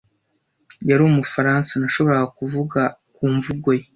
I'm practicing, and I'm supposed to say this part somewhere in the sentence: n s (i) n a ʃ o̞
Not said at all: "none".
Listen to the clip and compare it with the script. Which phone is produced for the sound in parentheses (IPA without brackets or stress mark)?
a